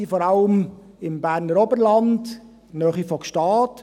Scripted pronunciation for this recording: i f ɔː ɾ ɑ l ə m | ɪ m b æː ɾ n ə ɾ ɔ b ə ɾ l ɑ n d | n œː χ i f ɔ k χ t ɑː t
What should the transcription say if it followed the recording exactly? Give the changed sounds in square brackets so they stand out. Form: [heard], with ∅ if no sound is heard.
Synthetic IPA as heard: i f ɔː ɾ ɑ l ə m | ɪ m b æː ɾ n ə ɾ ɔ b ə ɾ l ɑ n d | n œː χ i f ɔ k [ʃ] t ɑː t